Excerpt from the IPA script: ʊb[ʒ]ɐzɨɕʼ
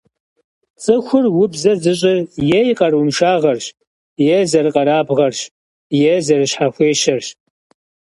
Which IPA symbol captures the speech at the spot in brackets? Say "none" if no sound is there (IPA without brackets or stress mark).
z